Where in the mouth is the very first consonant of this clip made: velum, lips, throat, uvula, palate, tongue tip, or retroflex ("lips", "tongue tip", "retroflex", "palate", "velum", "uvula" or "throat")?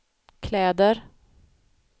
velum